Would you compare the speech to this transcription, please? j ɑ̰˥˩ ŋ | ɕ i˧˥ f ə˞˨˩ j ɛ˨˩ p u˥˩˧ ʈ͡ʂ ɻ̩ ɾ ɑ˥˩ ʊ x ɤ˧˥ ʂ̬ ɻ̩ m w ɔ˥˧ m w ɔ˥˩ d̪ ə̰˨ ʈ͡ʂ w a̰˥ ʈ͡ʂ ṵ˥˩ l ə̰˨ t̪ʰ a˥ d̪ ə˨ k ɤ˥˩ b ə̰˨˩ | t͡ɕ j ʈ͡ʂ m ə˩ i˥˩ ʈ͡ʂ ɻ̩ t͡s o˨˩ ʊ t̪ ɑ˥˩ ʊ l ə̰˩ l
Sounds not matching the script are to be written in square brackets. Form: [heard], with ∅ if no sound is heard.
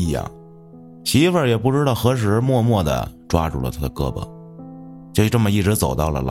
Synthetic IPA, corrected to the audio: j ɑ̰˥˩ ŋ | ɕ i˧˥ f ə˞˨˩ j ɛ˨˩ p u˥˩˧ ʈ͡ʂ ɻ̩ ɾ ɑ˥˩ ʊ x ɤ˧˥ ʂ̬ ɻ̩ m w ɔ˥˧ m w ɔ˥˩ d̪ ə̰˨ ʈ͡ʂ w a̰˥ ʈ͡ʂ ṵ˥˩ l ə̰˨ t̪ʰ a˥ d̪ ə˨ k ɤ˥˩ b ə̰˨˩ | t͡ɕ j ʈ͡ʂ m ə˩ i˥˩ ʈ͡ʂ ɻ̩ t͡s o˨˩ ʊ t̪ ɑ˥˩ ʊ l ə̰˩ l